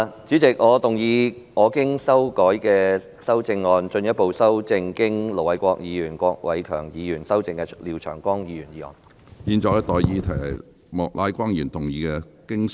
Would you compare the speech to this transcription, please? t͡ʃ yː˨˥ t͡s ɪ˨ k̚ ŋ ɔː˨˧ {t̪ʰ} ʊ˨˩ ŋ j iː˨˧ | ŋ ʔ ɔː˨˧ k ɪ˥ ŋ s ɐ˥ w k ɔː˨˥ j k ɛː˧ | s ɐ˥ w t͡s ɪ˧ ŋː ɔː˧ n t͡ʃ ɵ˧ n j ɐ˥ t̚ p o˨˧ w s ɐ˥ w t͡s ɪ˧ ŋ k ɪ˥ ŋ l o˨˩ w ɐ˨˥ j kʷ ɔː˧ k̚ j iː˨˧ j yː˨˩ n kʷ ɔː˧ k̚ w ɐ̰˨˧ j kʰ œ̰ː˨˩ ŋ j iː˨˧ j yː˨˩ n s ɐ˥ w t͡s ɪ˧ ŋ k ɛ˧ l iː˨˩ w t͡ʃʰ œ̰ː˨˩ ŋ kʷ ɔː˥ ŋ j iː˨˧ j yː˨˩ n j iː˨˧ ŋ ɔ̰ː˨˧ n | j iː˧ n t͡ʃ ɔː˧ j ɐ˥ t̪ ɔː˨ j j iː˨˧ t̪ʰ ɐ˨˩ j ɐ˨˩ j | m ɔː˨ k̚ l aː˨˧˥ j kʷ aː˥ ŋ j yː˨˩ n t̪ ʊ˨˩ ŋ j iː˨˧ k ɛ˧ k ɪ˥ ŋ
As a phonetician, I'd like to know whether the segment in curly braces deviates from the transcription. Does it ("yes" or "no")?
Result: yes